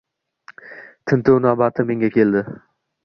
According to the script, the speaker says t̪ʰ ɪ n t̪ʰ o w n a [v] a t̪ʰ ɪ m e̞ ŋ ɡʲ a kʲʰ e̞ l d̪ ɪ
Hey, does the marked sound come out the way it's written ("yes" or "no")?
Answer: no